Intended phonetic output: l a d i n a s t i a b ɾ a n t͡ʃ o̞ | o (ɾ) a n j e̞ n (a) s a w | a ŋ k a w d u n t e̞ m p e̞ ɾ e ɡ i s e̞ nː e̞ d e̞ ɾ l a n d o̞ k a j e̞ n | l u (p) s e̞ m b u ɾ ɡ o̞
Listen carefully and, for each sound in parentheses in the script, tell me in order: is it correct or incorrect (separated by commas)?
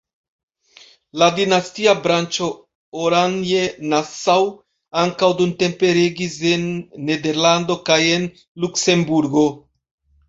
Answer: correct, correct, incorrect